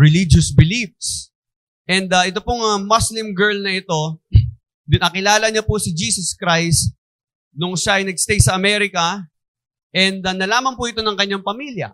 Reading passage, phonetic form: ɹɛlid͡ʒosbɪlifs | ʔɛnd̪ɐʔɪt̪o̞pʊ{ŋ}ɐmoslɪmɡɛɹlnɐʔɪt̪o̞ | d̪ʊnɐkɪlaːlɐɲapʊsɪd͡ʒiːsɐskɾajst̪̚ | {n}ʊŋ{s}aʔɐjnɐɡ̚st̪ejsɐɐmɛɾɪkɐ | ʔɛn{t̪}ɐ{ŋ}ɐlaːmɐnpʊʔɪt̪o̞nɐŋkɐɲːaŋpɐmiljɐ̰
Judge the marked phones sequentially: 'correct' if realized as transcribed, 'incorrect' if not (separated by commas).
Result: correct, correct, incorrect, incorrect, incorrect